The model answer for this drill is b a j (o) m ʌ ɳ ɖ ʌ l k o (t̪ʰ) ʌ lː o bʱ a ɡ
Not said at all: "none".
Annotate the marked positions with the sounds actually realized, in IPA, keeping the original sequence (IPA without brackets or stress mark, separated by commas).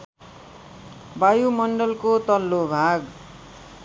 u, t̪